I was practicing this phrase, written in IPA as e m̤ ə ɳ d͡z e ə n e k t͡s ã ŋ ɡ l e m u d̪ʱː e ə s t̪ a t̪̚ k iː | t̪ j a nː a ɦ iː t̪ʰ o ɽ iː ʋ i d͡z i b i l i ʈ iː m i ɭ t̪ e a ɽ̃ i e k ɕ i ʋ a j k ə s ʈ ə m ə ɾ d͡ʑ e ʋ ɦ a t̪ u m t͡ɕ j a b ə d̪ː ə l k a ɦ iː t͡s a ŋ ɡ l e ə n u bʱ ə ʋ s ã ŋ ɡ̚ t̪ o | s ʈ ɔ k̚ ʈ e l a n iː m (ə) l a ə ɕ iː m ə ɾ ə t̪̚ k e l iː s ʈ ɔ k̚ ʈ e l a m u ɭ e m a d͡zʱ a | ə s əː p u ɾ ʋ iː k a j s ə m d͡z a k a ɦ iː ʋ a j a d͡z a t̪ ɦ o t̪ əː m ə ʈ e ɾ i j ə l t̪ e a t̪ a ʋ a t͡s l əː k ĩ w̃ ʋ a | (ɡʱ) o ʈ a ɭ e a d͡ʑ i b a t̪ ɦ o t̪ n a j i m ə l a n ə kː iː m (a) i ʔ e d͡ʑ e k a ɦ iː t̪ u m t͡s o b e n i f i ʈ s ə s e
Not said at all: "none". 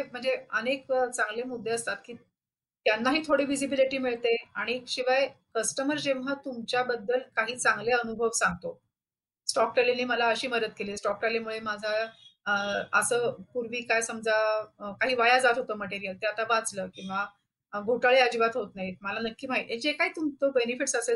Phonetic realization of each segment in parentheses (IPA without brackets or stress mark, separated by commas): ə, ɡʱ, a